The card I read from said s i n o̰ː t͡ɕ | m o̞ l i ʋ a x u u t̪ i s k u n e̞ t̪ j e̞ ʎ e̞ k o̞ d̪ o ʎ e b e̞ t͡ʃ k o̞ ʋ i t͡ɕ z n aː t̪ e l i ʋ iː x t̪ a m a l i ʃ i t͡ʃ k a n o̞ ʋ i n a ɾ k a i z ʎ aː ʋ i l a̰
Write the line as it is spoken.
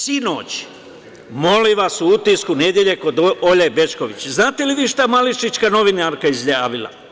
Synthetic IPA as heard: s i n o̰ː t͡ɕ | m o̞ l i ʋ a s u u t̪ i s k u n e̞ d̪ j e̞ ʎ e̞ k o̞ d̪ o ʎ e b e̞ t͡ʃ k o̞ ʋ i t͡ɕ z n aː t̪ e l i ʋ iː ʃ t̪ a m a l i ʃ i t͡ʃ k a n o̞ ʋ i n a ɾ k a i z ʎ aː ʋ i l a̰